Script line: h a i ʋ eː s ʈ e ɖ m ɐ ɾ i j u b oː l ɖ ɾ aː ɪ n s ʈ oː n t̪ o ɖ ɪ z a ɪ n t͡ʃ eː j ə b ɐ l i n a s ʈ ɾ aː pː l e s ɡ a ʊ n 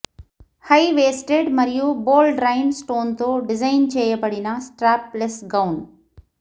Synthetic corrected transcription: h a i ʋ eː s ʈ e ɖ m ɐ ɾ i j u b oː l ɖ ɾ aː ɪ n s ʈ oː n t̪ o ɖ ɪ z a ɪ n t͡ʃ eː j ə p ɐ ɽ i n a s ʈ ɾ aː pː l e s ɡ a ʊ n